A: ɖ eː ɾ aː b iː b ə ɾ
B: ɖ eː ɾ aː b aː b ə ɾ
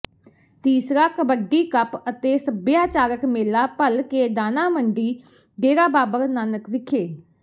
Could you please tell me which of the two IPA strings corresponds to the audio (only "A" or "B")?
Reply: B